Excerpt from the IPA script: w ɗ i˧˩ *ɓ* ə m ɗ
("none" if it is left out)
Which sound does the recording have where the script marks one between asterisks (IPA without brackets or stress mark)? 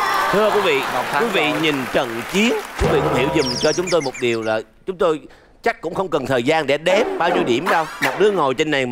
none